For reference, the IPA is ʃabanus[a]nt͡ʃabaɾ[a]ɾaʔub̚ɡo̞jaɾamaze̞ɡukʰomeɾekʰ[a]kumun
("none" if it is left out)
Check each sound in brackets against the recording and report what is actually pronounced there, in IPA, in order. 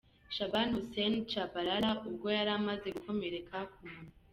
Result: e, a, a

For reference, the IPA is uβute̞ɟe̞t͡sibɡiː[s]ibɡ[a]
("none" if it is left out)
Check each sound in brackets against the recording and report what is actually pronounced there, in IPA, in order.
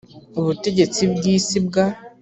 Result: s, a

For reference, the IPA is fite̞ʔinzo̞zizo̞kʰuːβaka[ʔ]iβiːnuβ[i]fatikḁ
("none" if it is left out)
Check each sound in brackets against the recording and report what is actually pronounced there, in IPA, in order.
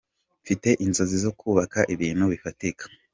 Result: ʔ, i

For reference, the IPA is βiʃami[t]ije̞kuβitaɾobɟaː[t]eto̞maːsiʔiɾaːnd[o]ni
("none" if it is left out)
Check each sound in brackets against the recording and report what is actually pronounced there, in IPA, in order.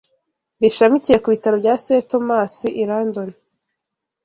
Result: c, s, o

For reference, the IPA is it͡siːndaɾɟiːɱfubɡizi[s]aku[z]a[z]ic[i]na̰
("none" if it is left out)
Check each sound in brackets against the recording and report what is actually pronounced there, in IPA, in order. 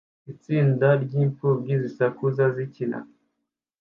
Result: s, z, z, i

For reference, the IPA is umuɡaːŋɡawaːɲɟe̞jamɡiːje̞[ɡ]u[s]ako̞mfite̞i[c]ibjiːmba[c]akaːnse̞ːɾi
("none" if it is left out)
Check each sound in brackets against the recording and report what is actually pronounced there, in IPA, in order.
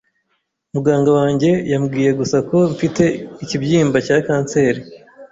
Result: ɡ, s, c, c

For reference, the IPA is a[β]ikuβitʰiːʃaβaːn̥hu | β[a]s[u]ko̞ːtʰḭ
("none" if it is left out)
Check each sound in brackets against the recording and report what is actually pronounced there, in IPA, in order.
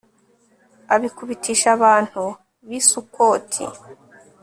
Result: β, i, u

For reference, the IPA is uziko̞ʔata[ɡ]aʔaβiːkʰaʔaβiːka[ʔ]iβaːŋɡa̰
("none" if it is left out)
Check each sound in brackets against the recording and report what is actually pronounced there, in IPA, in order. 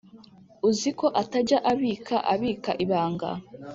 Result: ɟ, ʔ

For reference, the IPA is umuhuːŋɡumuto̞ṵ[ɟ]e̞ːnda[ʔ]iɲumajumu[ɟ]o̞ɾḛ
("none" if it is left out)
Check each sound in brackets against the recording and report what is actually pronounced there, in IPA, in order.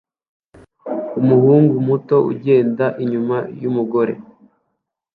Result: ɟ, ʔ, ɡ

